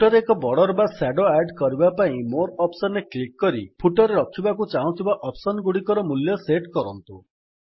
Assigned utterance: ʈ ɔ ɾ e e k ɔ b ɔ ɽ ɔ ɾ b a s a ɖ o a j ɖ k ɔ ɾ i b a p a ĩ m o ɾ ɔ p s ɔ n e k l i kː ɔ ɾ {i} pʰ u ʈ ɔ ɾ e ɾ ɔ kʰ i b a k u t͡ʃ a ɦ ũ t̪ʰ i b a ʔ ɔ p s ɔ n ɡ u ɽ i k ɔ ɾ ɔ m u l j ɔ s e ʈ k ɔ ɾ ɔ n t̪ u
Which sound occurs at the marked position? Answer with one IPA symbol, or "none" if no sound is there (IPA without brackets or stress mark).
i